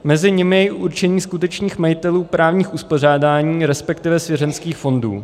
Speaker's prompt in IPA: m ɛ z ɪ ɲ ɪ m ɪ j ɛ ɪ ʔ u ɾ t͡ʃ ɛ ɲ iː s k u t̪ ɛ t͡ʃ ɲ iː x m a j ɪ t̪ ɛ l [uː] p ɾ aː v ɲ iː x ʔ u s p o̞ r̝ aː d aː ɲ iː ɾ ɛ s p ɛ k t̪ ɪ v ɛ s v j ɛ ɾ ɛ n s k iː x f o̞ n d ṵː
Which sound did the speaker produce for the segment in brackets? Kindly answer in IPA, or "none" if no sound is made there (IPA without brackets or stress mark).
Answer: uː